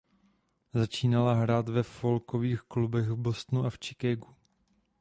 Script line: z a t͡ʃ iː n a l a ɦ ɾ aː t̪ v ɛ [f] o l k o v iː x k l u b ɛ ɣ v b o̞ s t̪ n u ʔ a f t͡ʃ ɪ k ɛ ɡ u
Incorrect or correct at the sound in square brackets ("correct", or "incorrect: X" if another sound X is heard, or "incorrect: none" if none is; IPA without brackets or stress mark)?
correct